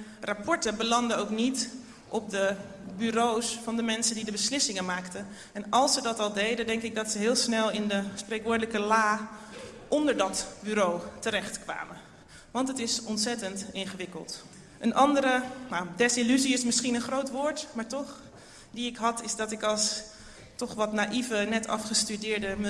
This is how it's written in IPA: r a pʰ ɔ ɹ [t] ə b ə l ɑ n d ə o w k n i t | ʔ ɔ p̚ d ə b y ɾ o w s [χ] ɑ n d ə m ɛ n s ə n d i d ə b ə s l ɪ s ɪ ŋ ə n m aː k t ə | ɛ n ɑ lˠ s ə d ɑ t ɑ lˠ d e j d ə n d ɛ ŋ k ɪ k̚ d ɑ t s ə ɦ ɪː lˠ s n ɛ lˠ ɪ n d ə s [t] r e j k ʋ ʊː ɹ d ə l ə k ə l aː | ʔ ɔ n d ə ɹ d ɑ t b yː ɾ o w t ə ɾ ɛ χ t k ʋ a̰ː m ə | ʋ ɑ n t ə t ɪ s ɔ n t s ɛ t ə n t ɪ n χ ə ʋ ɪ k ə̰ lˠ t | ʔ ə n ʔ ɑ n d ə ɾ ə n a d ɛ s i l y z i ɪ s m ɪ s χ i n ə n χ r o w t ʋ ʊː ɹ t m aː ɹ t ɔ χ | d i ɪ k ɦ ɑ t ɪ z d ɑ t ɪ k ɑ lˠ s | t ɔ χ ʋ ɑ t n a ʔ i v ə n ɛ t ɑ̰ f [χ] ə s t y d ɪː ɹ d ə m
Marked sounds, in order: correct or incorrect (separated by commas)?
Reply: correct, incorrect, incorrect, correct